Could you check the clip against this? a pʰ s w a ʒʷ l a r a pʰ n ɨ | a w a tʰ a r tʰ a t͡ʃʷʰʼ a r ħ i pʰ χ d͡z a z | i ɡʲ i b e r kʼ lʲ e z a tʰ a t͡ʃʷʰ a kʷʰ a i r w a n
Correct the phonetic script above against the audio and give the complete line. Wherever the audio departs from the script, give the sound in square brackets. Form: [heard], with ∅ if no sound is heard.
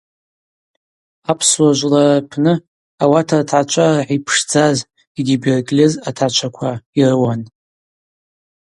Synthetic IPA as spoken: a pʰ s w a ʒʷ l a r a pʰ n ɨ | a w a tʰ a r tʰ a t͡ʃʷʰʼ a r ħ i pʰ [ʂ] d͡z a z | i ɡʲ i b e r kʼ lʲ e z a tʰ a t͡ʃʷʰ a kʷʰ a i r w a n